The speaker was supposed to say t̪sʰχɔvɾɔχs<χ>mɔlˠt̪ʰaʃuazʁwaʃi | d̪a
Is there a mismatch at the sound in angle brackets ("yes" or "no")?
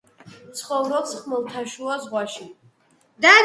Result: no